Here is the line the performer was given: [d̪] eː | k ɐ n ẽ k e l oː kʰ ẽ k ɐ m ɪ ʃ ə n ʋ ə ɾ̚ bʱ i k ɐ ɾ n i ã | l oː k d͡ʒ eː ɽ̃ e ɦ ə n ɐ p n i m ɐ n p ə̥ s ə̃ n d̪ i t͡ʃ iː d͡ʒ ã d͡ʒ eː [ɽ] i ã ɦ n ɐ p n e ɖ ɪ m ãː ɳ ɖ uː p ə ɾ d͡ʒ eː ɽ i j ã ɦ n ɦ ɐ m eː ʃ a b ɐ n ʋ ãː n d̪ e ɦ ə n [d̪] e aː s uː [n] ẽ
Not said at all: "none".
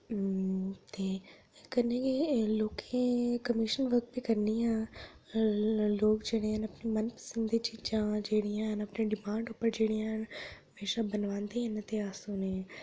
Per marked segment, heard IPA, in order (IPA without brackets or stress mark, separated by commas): t̪, ɽ, t̪, n